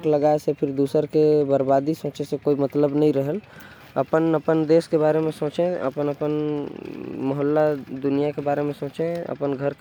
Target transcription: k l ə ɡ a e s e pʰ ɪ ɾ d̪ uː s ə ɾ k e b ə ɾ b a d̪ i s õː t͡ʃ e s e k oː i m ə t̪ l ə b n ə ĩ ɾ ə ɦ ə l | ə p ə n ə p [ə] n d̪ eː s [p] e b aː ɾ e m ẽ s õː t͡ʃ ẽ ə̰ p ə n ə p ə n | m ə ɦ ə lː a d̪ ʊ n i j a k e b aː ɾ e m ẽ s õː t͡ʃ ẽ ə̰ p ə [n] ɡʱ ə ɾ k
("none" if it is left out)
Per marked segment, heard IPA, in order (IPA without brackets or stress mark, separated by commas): ə, k, n